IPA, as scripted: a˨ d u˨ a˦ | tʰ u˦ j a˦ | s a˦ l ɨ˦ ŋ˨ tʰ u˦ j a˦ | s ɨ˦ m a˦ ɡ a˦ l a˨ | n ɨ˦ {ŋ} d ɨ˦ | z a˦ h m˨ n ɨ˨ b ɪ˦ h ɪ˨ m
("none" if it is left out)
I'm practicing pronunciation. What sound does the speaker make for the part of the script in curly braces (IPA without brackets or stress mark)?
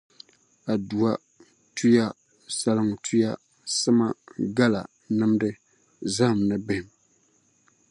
m